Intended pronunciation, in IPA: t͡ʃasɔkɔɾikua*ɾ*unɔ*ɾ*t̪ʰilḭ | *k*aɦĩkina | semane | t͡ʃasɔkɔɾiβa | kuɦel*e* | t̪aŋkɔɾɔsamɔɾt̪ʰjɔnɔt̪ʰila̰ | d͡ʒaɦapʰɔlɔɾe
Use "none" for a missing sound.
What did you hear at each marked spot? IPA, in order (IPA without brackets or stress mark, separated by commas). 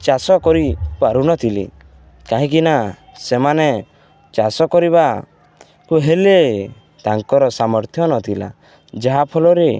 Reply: ɾ, none, k, e